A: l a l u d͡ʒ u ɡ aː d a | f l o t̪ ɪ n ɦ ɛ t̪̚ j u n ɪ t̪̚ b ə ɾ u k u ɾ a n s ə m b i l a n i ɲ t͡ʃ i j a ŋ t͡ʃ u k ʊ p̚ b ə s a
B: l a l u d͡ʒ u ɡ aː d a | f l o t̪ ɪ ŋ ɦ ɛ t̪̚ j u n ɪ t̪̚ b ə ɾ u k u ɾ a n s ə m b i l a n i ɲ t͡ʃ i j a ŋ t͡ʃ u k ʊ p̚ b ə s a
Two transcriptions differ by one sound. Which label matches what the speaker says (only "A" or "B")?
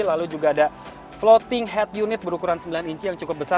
B